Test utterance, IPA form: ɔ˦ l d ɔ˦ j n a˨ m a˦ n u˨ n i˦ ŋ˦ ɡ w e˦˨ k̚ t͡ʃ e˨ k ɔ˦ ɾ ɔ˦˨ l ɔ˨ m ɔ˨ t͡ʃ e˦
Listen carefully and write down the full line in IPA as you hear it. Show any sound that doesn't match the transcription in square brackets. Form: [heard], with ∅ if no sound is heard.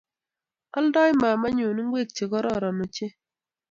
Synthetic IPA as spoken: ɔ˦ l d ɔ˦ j [m] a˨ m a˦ [ɲ] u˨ n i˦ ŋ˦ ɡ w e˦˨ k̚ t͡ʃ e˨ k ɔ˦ ɾ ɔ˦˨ [ɾ] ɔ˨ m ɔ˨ t͡ʃ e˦